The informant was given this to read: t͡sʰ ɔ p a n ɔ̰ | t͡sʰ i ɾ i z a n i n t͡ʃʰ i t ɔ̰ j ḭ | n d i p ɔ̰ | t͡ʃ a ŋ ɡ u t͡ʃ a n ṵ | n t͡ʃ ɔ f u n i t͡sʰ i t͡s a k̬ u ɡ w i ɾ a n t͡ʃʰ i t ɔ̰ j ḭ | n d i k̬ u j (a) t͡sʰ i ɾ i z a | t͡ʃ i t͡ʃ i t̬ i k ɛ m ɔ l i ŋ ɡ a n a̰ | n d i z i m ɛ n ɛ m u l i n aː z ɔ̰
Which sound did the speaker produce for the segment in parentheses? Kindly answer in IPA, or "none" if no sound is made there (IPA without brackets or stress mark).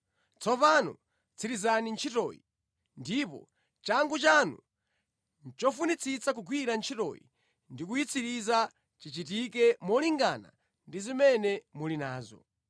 i